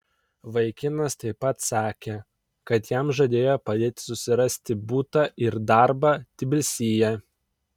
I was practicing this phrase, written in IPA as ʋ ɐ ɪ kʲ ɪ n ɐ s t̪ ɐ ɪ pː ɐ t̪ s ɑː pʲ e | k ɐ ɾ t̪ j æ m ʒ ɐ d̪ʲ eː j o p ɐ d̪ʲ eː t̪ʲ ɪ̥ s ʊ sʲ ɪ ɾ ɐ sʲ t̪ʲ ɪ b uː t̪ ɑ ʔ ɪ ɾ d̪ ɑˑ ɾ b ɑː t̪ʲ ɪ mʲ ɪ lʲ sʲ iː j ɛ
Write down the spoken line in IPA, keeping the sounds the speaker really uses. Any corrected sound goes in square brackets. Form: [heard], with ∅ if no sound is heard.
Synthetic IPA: ʋ ɐ ɪ kʲ ɪ n ɐ s t̪ ɐ ɪ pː ɐ t̪ s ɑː [kʲ] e | k ɐ [∅] t̪ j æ m ʒ ɐ d̪ʲ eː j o p ɐ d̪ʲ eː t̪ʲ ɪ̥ s ʊ sʲ ɪ ɾ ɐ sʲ t̪ʲ ɪ b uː t̪ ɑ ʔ ɪ ɾ d̪ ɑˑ ɾ b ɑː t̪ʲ ɪ [bʲ] ɪ lʲ sʲ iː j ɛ

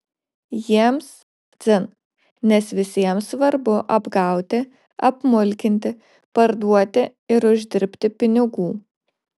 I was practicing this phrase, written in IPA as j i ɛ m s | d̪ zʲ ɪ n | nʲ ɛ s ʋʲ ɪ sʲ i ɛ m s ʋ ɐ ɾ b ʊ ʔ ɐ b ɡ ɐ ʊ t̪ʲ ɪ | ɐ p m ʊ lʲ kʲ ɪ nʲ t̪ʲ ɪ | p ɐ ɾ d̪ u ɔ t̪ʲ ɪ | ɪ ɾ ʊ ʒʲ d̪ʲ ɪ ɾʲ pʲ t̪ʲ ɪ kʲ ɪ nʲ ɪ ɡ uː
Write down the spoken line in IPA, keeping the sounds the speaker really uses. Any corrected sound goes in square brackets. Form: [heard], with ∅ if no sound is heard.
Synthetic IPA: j i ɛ m s | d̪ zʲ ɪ n | nʲ ɛ s ʋʲ ɪ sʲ i ɛ m s ʋ ɐ ɾ b ʊ ʔ ɐ b ɡ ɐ ʊ t̪ʲ ɪ | ɐ p m ʊ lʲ kʲ ɪ nʲ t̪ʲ ɪ | p ɐ ɾ d̪ u ɔ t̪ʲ ɪ | ɪ ɾ ʊ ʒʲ d̪ʲ ɪ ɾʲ pʲ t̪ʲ ɪ [pʲ] ɪ nʲ ɪ ɡ uː

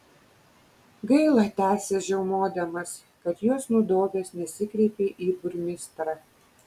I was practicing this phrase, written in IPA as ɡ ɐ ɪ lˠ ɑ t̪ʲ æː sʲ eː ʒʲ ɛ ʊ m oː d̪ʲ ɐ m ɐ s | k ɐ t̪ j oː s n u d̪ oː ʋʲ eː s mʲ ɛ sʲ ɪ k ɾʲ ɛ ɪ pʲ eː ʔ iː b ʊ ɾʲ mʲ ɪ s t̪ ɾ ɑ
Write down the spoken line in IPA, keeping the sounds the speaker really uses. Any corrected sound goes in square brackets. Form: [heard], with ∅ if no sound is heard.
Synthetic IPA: ɡ ɐ ɪ lˠ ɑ t̪ʲ æː sʲ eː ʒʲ ɛ ʊ m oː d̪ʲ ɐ m ɐ s | k ɐ t̪ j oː s n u d̪ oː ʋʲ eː s [nʲ] ɛ sʲ ɪ k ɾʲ ɛ ɪ pʲ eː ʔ iː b ʊ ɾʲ mʲ ɪ s t̪ ɾ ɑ

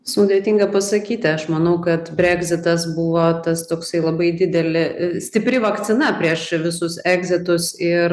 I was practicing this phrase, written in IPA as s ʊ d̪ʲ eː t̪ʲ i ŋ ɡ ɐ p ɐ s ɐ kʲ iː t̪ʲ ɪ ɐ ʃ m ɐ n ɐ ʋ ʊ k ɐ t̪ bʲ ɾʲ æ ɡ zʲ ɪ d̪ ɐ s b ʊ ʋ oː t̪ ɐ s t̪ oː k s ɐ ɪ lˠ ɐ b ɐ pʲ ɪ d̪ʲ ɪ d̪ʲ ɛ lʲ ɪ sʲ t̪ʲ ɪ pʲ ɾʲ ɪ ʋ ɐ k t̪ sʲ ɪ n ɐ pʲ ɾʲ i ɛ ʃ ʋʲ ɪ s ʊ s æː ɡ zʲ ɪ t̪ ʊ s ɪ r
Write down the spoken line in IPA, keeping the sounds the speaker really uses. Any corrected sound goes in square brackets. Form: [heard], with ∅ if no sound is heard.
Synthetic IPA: s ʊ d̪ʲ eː t̪ʲ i ŋ ɡ ɐ p ɐ s ɐ kʲ iː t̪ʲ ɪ ɐ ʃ m ɐ n ɐ [∅] ʊ k ɐ t̪ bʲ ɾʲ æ ɡ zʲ ɪ [t̪] ɐ s b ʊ ʋ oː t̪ ɐ s t̪ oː k s ɐ ɪ lˠ ɐ b ɐ [∅] ɪ d̪ʲ ɪ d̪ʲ ɛ lʲ ɪ sʲ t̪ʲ ɪ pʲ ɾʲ ɪ ʋ ɐ k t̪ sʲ ɪ n ɐ pʲ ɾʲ i ɛ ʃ ʋʲ ɪ s ʊ s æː ɡ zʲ ɪ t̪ ʊ s ɪ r

